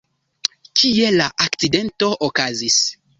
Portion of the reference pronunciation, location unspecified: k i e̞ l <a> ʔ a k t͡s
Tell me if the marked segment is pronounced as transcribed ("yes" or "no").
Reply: yes